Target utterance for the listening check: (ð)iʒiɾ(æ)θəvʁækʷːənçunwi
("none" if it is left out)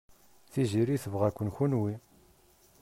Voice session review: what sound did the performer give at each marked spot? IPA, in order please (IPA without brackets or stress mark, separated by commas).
θ, i